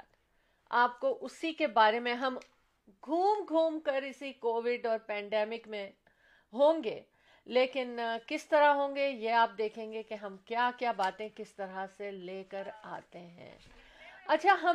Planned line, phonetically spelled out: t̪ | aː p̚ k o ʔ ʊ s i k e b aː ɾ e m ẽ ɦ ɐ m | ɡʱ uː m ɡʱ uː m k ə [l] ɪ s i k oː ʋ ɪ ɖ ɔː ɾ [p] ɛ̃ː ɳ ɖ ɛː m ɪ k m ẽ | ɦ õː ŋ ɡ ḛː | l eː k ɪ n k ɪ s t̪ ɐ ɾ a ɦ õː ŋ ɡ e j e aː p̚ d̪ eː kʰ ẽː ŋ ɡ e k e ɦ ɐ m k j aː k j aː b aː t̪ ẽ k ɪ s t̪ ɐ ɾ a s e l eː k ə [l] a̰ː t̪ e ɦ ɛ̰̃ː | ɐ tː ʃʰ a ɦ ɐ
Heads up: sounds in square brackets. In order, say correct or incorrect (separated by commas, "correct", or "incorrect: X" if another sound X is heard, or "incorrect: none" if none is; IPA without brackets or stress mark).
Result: incorrect: ɾ, correct, incorrect: ɾ